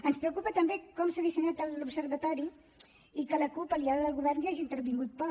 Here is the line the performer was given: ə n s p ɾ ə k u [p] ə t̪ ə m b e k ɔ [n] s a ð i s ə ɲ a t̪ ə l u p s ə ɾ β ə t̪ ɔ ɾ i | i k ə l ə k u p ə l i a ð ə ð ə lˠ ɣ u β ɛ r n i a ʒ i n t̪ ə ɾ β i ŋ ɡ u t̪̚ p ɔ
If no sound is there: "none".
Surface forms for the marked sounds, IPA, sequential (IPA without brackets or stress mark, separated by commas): p, m